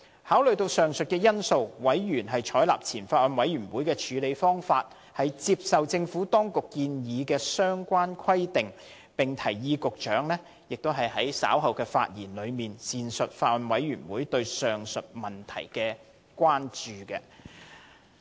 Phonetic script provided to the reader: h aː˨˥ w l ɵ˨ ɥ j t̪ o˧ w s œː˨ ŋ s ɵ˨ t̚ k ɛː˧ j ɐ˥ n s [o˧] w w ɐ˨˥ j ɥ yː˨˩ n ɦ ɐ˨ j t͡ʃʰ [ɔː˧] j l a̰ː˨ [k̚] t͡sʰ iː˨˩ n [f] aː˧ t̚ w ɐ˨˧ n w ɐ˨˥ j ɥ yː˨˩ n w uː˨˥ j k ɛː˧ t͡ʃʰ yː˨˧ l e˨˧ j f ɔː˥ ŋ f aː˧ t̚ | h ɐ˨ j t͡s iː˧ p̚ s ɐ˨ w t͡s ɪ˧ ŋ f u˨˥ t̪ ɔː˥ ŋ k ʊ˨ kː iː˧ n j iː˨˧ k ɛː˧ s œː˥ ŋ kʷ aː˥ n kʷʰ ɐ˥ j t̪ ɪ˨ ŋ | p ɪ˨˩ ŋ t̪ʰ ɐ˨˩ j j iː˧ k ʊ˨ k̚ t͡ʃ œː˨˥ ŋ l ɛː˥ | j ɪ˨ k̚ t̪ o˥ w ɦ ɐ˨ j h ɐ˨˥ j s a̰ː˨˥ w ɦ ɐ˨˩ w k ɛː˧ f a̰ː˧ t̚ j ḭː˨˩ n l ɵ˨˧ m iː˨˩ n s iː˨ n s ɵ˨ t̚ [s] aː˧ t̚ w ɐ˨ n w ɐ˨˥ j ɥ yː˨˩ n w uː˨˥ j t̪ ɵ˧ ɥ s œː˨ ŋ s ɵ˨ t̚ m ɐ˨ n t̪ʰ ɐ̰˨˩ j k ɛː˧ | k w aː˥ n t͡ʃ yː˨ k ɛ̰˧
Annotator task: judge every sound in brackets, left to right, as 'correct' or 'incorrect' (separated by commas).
correct, incorrect, incorrect, correct, incorrect